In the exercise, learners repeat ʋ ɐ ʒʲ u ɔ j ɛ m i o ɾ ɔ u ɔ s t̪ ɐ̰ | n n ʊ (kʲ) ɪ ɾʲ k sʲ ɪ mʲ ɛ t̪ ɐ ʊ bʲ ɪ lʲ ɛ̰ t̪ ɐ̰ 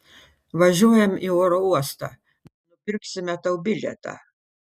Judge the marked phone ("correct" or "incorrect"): incorrect